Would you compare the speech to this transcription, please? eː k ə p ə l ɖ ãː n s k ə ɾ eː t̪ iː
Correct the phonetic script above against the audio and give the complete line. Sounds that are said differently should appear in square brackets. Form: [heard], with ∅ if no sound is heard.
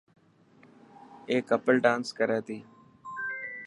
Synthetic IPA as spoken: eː k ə p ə l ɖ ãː n s k ə ɾ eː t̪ iː